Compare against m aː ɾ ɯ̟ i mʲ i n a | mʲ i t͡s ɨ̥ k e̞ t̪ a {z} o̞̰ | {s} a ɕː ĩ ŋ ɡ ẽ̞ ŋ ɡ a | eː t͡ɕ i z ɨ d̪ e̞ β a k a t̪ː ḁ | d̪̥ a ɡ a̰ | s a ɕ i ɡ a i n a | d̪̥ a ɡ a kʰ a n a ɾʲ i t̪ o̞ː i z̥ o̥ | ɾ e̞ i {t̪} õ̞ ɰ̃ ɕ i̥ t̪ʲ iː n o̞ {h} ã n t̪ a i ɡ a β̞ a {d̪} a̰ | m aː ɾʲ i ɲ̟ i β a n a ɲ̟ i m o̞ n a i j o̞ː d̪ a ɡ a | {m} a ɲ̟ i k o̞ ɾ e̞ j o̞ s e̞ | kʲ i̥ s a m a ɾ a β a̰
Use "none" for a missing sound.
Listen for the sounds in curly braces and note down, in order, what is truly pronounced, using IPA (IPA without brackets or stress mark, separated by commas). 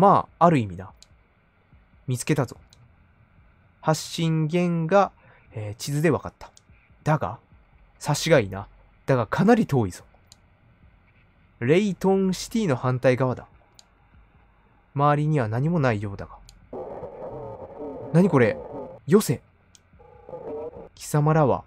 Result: z, h, t̪, h, d̪, n